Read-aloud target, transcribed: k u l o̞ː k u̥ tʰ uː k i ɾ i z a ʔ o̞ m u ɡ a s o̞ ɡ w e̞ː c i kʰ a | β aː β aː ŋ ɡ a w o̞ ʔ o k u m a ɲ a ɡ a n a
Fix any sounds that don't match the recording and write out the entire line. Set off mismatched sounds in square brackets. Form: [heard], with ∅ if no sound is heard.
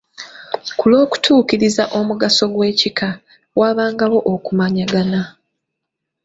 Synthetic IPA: k u l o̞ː k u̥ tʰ uː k i ɾ i z a ʔ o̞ m u ɡ a s o̞ ɡ w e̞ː c i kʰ a | [w] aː β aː ŋ ɡ a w o̞ ʔ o k u m a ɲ a ɡ a n a